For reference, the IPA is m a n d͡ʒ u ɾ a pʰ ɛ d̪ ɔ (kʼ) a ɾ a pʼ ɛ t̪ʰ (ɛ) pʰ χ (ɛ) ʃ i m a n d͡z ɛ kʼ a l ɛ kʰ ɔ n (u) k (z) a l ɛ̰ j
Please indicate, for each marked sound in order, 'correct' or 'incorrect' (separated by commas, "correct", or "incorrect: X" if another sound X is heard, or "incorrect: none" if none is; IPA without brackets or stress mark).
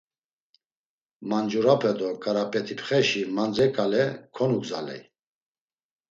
correct, incorrect: i, correct, correct, correct